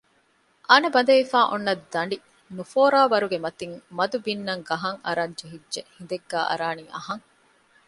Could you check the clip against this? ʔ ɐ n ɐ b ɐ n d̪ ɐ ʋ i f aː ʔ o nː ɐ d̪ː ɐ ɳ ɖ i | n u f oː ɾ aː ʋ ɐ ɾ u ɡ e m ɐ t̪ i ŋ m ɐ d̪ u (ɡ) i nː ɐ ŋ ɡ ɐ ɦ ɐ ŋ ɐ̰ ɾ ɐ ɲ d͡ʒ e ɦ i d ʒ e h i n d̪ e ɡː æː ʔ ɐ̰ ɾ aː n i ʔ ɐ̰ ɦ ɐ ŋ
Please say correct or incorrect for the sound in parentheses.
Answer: incorrect: b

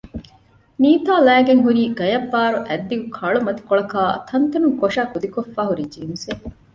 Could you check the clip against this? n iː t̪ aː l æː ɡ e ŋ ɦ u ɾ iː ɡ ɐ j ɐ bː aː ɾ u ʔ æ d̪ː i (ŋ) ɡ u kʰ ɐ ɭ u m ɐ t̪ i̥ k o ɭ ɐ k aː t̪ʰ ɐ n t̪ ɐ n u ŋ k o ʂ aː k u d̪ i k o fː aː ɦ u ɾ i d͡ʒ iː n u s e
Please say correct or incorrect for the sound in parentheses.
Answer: incorrect: none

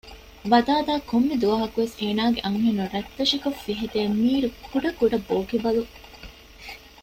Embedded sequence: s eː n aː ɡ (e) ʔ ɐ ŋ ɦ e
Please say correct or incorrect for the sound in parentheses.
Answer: correct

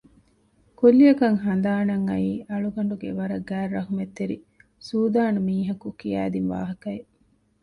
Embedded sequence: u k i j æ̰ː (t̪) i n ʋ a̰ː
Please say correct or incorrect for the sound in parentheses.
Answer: incorrect: d̪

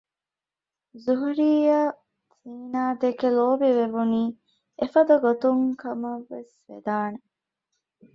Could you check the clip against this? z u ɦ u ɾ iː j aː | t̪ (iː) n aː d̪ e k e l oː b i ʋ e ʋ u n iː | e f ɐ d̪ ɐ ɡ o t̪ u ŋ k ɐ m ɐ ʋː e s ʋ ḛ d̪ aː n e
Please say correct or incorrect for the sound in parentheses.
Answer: correct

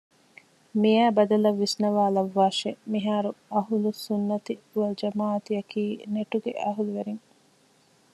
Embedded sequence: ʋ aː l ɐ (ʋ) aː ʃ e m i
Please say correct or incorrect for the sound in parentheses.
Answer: incorrect: ʋː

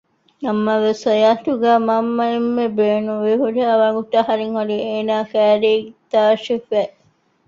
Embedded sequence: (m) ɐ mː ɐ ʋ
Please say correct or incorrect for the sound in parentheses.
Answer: incorrect: n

